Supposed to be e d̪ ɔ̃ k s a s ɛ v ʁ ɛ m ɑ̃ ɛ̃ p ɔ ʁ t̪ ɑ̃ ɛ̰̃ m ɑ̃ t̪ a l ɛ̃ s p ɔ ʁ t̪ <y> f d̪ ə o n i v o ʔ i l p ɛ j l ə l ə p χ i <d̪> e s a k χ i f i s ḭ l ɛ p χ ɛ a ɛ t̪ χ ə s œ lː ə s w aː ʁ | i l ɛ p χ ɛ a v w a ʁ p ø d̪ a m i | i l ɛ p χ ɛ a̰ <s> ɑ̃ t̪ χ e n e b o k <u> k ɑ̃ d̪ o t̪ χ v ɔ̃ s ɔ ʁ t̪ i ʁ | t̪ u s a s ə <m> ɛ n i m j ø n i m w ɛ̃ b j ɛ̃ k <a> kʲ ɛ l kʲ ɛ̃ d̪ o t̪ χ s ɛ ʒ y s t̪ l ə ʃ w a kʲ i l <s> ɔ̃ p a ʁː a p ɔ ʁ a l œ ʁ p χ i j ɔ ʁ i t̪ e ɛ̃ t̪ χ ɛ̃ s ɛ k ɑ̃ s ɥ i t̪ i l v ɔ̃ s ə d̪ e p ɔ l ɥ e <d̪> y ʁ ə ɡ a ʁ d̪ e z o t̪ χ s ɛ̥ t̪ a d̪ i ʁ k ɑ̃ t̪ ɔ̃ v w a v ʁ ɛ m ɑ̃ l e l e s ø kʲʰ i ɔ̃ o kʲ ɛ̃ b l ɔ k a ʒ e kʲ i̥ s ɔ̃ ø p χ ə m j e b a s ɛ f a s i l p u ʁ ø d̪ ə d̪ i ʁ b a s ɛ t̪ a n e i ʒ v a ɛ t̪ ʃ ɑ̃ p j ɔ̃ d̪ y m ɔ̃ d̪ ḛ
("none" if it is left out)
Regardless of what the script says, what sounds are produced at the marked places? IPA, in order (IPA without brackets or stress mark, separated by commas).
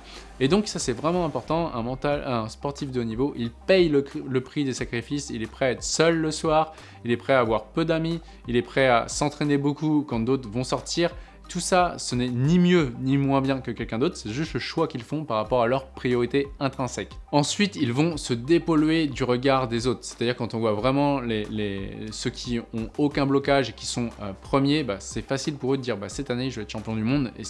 i, d̪, s, u, n, ə, f, d̪